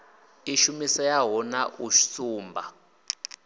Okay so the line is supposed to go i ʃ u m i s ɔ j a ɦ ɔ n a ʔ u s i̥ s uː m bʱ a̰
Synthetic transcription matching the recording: i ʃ u m i s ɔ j a ɦ ɔ n a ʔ u ʃ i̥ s uː m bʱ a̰